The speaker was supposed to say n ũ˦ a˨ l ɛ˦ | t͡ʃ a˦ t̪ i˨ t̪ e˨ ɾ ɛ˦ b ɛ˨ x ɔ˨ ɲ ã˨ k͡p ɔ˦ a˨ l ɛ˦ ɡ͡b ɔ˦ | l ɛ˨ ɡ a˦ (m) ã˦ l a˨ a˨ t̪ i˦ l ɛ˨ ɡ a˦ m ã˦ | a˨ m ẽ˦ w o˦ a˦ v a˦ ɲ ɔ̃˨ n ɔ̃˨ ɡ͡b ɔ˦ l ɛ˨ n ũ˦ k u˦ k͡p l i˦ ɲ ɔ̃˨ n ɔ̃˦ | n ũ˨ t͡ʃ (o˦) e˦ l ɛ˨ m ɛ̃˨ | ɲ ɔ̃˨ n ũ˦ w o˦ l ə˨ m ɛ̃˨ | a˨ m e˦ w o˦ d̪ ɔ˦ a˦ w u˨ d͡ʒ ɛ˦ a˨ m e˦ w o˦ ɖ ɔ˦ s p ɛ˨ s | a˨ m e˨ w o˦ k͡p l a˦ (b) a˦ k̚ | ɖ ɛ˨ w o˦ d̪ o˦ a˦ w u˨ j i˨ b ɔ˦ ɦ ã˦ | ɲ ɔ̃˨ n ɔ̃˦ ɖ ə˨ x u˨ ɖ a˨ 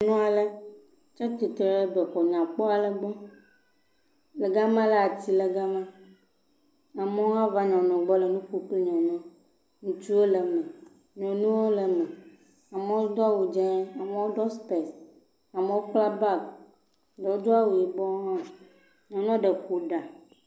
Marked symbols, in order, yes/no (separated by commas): yes, no, yes